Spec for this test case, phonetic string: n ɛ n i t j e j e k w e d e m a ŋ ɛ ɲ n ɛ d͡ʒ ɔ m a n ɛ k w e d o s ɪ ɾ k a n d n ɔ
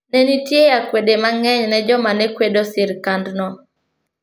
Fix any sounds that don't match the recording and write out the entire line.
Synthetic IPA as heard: n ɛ n i t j e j a k w e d e m a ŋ ɛ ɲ n ɛ d͡ʒ ɔ m a n ɛ k w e d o s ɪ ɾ k a n d n ɔ